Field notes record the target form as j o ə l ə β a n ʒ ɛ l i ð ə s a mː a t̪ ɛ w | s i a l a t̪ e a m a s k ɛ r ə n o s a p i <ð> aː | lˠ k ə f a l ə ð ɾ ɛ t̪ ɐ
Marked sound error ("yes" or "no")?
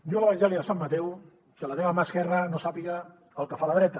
yes